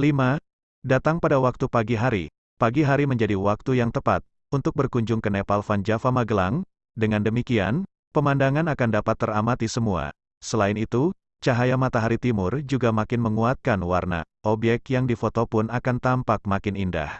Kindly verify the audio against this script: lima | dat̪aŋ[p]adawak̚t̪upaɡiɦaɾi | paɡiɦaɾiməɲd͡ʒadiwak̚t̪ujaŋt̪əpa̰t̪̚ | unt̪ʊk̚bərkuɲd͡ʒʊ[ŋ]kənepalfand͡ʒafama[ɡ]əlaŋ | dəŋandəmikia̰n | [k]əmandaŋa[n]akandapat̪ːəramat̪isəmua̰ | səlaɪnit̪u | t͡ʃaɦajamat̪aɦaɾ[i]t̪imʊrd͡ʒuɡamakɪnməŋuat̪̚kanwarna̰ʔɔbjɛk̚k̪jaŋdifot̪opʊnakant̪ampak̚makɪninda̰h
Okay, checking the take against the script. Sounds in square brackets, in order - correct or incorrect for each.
correct, correct, correct, incorrect: p, correct, correct

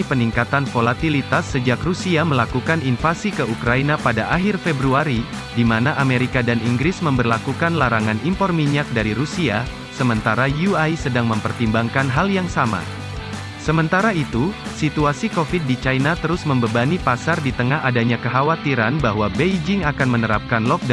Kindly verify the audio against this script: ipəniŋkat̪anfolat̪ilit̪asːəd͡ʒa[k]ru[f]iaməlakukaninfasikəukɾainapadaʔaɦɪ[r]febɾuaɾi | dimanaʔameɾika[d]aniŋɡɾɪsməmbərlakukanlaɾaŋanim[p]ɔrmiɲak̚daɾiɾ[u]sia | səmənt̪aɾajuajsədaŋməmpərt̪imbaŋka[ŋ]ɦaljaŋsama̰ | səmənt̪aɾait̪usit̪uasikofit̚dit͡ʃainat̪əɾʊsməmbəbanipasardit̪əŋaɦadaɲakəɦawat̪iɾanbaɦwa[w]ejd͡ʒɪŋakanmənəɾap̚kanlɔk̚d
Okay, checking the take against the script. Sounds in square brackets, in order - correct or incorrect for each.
correct, incorrect: s, correct, correct, correct, correct, incorrect: n, incorrect: b

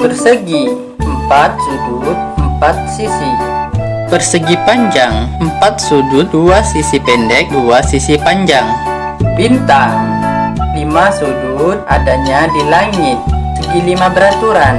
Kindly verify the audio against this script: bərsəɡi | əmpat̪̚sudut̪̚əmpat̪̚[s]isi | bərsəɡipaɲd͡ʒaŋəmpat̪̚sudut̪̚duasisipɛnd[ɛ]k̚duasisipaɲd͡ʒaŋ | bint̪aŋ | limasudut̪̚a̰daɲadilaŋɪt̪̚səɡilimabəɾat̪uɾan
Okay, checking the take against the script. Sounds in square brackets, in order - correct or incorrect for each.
correct, correct

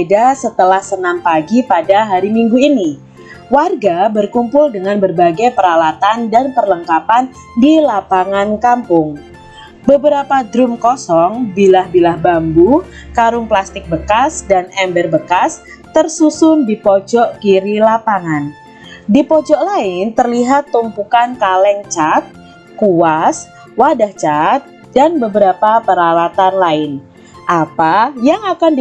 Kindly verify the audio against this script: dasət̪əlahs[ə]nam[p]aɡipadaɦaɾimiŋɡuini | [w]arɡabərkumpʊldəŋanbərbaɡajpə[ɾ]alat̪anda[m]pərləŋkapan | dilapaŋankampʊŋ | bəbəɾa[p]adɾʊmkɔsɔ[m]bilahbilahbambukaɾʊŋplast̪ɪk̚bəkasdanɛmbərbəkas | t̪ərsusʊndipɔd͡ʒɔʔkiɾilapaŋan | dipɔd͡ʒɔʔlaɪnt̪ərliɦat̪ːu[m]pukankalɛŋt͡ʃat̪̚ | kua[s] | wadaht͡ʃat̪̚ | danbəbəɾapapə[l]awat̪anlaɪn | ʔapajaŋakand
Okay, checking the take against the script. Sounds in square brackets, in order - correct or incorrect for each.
correct, correct, correct, correct, incorrect: n, correct, incorrect: ŋ, correct, correct, incorrect: ɾ

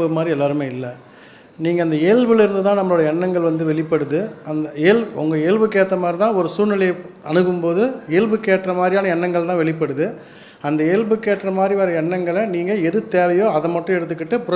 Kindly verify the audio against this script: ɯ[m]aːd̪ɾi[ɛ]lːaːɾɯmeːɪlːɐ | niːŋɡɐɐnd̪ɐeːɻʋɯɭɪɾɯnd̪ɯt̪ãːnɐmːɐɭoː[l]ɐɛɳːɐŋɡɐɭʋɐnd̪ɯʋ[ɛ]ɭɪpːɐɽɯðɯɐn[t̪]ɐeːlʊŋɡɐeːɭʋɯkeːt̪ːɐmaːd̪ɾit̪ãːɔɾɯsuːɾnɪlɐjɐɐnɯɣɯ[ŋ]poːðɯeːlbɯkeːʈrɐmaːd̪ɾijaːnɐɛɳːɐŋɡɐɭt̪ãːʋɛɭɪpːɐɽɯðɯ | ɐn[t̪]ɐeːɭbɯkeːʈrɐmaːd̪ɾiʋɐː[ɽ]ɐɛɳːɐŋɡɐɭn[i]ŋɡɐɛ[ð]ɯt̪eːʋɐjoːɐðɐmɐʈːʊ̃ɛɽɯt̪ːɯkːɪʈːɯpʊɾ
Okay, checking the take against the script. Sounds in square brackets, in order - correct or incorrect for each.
correct, correct, incorrect: ɽ, correct, incorrect: d̪, incorrect: m, incorrect: d̪, incorrect: ɾ, incorrect: iː, correct

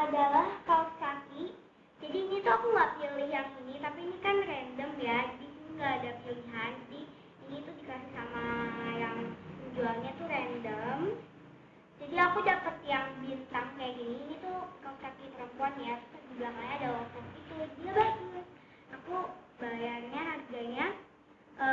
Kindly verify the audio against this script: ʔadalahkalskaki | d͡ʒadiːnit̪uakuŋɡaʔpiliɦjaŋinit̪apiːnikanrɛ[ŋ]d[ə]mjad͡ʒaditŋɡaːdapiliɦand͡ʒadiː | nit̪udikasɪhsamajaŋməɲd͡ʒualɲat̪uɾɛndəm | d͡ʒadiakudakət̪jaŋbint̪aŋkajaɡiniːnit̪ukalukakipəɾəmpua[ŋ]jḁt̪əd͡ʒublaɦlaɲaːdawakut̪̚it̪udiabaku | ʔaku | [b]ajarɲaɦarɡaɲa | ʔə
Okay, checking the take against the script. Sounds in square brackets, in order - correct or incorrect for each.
incorrect: n, correct, incorrect: n, correct

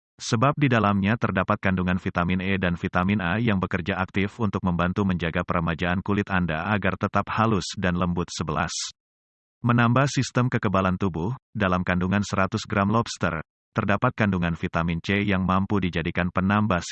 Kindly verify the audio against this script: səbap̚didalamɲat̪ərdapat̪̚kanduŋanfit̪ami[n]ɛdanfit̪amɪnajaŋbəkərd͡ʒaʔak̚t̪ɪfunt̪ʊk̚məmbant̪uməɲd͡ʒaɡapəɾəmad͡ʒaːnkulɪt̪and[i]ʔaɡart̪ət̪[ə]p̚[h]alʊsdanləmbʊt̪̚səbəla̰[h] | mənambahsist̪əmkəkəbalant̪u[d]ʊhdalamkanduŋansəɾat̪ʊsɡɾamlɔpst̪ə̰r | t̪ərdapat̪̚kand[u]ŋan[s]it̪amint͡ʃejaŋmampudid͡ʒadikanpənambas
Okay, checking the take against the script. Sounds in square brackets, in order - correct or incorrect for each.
correct, incorrect: a, incorrect: a, correct, incorrect: s, incorrect: b, correct, incorrect: f

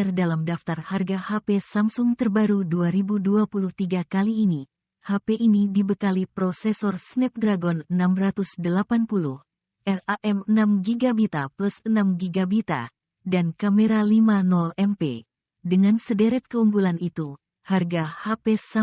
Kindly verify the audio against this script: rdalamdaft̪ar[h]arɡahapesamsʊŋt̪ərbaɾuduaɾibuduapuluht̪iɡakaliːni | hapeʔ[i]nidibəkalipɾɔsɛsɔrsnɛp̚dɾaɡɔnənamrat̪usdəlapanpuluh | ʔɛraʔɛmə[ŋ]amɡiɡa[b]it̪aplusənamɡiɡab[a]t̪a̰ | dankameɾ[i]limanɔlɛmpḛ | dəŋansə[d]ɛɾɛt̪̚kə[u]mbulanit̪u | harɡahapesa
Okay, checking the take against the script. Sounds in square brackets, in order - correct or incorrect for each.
correct, correct, incorrect: n, correct, incorrect: i, incorrect: a, correct, correct

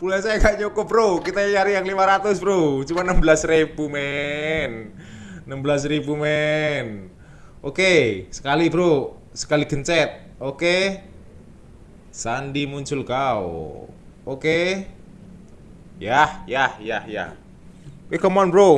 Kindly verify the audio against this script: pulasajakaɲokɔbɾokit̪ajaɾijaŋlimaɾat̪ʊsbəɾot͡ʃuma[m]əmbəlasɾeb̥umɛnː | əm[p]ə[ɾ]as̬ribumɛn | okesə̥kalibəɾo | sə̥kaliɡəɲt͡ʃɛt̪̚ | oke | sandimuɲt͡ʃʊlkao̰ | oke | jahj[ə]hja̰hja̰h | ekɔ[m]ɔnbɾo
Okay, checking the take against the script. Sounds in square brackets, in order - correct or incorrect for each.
incorrect: n, incorrect: b, incorrect: l, incorrect: a, correct

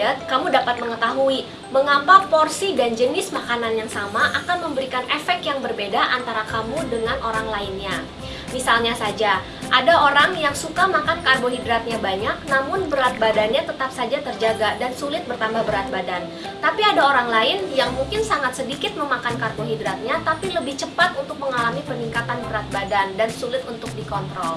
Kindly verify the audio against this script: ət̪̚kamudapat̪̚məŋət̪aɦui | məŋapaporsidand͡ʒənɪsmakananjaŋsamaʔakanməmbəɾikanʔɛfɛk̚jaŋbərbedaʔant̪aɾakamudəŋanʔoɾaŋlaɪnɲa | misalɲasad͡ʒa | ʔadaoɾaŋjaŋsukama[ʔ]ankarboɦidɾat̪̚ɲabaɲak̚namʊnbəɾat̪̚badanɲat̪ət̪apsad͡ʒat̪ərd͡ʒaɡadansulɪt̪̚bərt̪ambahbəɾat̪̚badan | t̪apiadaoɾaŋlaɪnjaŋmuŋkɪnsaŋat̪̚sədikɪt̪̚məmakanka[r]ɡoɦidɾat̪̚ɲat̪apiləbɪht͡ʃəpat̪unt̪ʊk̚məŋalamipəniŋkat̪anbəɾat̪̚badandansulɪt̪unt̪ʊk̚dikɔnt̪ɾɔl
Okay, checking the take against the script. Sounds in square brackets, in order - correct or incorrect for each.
incorrect: k, correct

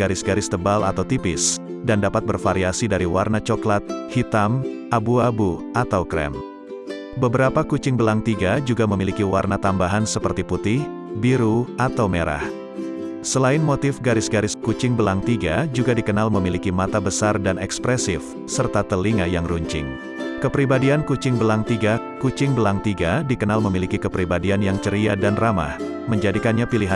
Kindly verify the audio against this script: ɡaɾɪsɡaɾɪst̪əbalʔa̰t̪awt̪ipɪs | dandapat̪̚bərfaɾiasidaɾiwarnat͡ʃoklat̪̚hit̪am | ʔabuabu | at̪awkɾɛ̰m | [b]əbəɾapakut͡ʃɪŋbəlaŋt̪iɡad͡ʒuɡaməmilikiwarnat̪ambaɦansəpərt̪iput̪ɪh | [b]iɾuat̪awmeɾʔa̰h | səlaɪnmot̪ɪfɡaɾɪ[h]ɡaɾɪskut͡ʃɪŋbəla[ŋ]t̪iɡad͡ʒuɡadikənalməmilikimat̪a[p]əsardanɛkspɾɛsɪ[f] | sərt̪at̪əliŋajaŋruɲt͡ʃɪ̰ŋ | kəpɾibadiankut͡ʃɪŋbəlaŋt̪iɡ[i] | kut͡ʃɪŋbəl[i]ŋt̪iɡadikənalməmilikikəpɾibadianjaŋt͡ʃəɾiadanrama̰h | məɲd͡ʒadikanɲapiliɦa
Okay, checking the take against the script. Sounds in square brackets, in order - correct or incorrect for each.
correct, correct, incorrect: s, correct, incorrect: b, correct, incorrect: a, incorrect: a

